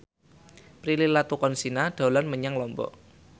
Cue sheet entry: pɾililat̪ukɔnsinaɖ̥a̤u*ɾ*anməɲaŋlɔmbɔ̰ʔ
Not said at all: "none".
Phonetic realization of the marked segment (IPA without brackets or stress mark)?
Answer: l